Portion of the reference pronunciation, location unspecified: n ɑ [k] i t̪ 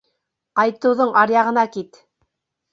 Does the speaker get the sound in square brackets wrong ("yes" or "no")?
no